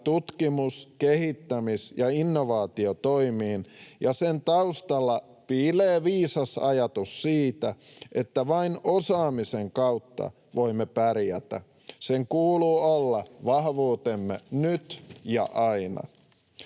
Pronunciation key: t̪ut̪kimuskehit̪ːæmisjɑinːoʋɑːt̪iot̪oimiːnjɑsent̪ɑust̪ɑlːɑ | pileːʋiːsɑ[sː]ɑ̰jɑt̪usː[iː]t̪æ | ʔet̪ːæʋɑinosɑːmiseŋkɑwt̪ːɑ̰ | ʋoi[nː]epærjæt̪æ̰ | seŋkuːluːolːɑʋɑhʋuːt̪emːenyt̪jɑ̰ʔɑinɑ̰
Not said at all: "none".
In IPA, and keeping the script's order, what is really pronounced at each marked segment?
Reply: s, iː, mː

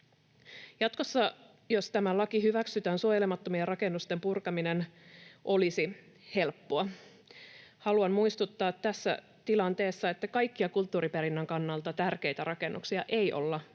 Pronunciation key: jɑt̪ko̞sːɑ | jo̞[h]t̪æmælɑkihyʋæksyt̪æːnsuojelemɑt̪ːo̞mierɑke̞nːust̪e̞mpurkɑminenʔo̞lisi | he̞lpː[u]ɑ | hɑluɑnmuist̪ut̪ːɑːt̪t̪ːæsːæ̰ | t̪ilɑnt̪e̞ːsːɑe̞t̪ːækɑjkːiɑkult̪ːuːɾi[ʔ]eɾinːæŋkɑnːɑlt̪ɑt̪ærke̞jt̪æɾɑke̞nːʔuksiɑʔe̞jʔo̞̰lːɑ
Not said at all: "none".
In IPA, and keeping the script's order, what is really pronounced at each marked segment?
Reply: s, o, p

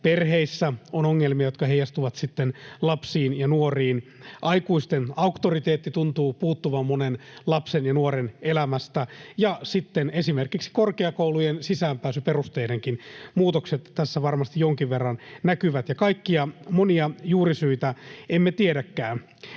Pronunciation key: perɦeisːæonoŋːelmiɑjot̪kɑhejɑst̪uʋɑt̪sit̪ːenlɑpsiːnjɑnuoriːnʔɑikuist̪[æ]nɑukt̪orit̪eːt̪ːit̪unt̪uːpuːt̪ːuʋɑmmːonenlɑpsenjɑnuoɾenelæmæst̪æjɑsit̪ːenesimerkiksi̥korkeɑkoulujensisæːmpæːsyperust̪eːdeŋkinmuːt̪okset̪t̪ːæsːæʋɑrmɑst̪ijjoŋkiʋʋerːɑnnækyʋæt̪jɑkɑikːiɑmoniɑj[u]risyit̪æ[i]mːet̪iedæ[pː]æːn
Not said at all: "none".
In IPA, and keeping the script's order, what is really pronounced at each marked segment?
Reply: e, uː, e, kː

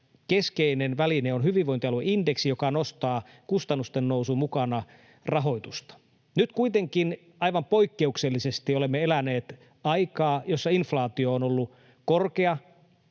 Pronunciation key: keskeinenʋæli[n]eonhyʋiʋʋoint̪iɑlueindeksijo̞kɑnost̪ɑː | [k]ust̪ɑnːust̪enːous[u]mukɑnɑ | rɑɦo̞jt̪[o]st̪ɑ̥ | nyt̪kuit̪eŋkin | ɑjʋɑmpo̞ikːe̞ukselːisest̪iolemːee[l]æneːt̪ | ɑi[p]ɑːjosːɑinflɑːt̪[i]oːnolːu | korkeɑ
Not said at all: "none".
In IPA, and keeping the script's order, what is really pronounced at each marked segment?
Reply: n, k, u, u, l, k, i

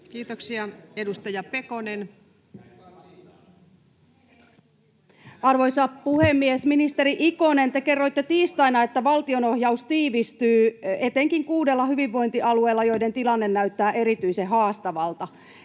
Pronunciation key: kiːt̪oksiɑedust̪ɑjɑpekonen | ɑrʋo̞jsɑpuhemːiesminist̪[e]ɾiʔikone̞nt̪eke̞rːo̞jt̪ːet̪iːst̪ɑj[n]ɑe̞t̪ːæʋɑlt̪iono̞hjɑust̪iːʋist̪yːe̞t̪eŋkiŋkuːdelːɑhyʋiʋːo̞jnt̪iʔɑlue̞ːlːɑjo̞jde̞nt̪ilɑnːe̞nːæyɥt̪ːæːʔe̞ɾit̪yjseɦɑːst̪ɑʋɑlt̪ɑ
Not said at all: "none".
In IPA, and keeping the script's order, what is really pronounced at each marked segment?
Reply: e, n

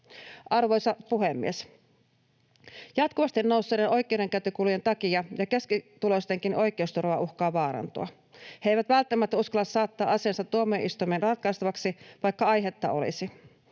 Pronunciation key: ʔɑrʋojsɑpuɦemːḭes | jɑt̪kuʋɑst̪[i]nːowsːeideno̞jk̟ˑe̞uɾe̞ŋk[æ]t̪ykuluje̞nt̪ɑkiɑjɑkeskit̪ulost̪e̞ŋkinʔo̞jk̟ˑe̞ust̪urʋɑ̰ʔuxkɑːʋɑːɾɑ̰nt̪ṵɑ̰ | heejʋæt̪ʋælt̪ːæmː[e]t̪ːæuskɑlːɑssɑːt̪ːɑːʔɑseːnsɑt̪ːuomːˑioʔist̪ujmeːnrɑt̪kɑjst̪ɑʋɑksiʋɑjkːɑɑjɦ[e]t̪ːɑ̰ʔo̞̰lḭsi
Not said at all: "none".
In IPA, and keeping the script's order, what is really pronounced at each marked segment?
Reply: i, æ, æ, e

